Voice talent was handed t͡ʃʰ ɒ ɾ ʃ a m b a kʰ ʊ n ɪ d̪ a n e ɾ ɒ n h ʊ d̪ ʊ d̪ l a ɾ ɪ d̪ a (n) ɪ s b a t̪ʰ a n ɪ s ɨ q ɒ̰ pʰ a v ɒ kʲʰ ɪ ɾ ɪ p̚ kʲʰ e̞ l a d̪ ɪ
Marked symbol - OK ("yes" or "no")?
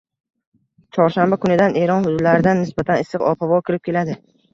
no